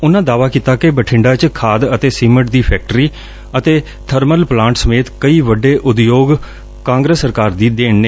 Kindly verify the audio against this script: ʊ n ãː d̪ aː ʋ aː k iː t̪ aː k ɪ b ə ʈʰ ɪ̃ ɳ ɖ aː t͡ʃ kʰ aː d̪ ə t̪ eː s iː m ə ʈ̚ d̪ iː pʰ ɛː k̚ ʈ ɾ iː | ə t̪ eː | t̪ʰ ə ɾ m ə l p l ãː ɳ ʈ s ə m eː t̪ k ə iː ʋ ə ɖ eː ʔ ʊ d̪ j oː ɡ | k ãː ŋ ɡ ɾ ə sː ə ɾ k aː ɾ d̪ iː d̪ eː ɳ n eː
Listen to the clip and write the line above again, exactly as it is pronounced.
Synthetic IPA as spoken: ʊ n ãː d̪ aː ʋ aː k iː t̪ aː k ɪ b ə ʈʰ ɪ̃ ɳ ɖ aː t͡ʃ kʰ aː d̪ ə t̪ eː s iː m ə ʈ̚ d̪ iː pʰ ɛː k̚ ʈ ɾ iː | ə t̪ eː | t̪ʰ ə ɾ m ə l p l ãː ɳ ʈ s ə m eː t̪ k ə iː ʋ ə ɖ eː ʔ ʊ d̪ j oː ɡ | k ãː ŋ ɡ ɾ ə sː ə ɾ k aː ɾ d̪ iː d̪ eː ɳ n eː